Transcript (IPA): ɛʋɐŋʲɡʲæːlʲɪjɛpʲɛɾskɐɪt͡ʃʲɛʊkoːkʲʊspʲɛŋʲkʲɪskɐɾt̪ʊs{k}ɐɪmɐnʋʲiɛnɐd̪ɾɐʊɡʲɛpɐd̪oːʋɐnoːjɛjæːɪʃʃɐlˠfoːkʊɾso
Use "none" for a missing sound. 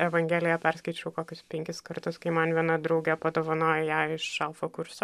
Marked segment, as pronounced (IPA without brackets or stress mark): k